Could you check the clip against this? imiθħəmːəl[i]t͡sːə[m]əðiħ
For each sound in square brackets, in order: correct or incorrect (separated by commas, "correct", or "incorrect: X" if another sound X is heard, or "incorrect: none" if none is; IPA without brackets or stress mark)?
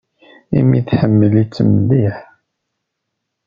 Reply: correct, correct